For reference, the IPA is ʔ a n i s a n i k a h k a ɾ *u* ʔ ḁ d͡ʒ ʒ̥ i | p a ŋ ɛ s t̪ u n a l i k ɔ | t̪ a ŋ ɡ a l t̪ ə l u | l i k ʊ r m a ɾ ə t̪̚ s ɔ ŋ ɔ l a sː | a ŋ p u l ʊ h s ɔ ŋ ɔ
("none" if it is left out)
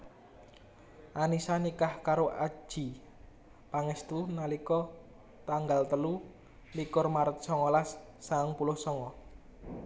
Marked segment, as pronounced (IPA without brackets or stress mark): o